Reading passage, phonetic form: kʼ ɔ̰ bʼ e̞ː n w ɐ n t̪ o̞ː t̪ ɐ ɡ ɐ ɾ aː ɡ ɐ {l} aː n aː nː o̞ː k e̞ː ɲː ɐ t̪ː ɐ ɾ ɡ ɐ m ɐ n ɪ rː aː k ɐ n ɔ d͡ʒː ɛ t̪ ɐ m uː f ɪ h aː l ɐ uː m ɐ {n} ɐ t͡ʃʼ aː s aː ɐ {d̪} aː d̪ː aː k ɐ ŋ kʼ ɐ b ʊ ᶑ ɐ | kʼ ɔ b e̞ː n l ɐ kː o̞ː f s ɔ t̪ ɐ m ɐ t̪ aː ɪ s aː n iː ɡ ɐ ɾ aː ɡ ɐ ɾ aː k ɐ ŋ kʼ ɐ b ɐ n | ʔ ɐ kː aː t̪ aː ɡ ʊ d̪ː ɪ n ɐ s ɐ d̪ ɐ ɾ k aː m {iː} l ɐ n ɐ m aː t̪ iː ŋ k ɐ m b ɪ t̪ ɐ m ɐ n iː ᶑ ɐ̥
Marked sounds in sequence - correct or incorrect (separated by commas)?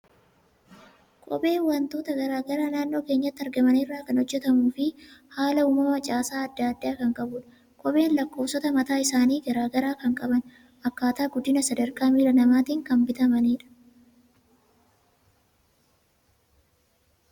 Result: incorrect, incorrect, incorrect, correct